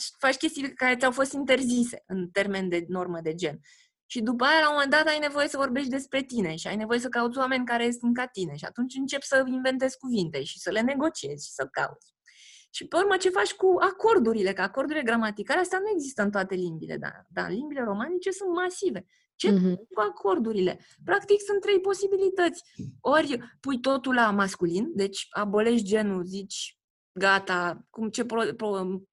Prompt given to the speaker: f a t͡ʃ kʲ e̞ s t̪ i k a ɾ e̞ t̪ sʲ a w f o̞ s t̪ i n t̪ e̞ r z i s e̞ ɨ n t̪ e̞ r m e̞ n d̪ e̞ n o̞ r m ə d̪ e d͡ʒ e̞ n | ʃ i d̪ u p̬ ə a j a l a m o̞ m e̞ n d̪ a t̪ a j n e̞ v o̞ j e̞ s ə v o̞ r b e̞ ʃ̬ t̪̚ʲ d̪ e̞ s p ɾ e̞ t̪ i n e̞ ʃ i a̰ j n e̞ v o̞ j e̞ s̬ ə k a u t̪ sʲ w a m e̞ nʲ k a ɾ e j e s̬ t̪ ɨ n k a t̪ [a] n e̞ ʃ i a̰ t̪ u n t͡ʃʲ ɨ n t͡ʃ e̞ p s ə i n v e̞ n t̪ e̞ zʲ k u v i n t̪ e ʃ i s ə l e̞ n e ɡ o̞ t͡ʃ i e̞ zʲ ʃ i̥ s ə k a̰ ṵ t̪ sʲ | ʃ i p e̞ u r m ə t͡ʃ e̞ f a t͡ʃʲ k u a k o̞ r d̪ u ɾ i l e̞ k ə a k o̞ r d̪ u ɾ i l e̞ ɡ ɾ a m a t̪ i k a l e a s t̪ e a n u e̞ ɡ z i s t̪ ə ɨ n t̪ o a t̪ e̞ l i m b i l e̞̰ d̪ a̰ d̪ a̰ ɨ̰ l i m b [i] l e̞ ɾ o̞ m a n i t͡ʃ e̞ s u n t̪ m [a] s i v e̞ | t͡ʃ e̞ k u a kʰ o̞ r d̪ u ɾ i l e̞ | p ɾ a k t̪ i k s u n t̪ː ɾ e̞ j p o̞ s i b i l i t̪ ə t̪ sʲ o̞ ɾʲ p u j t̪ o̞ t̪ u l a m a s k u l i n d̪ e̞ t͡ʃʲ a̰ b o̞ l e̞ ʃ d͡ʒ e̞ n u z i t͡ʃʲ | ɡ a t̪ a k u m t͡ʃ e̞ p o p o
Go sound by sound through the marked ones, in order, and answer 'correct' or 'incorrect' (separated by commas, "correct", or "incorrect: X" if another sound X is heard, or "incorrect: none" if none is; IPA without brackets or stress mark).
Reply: incorrect: i, correct, correct